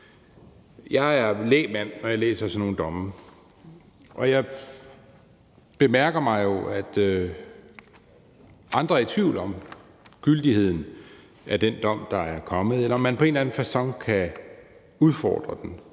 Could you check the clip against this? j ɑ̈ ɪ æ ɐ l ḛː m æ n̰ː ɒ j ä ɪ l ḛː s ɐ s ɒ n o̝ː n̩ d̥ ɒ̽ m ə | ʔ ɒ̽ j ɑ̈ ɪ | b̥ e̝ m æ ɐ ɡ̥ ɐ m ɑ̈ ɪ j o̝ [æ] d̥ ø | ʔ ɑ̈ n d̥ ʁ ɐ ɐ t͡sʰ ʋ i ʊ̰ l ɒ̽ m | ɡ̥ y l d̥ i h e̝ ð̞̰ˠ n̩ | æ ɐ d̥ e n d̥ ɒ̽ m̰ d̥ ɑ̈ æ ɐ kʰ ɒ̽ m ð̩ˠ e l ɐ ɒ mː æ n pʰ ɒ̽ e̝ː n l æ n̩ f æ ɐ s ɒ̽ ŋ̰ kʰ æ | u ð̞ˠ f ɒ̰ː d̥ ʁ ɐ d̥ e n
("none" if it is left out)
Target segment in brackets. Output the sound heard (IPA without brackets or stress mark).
æ